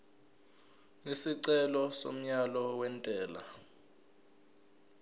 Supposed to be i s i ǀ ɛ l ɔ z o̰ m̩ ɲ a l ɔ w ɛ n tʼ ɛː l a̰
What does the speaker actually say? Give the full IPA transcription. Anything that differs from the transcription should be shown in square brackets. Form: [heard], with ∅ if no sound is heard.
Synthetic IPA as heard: i s i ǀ ɛ l ɔ [s] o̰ m̩ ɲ a l ɔ w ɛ n tʼ ɛː l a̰